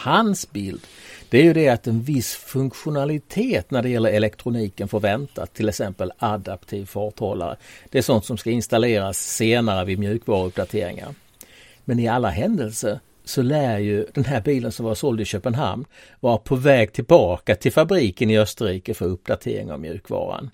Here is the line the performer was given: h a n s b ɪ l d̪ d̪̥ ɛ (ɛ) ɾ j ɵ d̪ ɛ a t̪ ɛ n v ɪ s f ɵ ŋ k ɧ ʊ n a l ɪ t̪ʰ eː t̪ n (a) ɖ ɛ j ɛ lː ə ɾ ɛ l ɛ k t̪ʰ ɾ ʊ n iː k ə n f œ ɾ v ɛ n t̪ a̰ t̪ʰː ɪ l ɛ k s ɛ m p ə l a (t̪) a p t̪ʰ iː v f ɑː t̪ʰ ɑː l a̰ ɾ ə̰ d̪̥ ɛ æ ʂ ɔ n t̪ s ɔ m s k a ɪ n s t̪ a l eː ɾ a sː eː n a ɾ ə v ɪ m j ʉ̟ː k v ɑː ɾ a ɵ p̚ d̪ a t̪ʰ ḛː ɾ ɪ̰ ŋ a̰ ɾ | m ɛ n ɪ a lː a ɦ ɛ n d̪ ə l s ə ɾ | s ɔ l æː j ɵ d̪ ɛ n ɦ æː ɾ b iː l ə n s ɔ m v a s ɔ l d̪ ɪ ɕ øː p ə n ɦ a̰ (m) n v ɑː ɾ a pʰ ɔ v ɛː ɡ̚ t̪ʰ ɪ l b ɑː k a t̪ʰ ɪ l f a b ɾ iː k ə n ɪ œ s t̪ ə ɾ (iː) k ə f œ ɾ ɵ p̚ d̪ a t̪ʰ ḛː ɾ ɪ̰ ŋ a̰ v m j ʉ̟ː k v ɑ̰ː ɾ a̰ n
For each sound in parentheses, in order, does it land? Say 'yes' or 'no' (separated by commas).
no, no, no, yes, yes